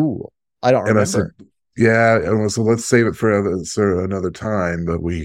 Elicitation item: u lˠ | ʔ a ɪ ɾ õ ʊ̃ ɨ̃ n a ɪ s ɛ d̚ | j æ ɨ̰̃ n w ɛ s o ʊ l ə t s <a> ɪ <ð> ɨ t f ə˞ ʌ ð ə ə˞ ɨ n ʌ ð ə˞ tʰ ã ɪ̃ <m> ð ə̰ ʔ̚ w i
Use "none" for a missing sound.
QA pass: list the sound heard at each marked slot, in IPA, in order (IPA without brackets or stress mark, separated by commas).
e, v, m